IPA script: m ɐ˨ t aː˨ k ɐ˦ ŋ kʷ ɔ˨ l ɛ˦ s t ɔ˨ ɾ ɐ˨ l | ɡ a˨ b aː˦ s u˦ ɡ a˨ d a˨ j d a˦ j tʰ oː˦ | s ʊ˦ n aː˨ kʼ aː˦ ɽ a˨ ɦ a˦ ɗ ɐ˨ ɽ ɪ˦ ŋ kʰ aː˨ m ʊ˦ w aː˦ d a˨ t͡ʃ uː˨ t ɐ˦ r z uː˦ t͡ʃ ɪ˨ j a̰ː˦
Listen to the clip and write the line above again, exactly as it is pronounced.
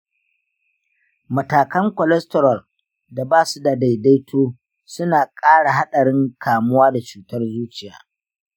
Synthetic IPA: m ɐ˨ t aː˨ k ɐ˦ ŋ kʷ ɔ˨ l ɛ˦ s t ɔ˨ ɾ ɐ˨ l | d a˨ b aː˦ s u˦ d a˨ d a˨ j d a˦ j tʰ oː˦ | s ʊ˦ n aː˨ kʼ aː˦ ɽ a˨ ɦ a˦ ɗ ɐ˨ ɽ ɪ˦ ŋ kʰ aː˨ m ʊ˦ w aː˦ d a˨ t͡ʃ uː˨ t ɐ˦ r z uː˦ t͡ʃ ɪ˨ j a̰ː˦